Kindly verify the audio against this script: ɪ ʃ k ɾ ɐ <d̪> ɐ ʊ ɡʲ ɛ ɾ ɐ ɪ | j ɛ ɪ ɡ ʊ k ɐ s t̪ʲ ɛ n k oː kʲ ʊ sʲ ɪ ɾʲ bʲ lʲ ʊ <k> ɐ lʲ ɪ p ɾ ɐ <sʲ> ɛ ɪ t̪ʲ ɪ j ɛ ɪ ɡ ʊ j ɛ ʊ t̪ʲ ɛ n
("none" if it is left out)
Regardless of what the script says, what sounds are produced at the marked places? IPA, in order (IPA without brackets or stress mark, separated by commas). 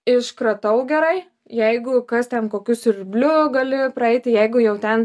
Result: t̪, ɡ, none